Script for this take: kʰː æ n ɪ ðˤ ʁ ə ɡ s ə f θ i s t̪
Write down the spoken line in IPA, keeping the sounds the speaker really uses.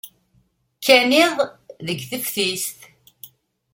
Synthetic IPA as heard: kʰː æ n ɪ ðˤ ð ə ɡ θ ə f θ i s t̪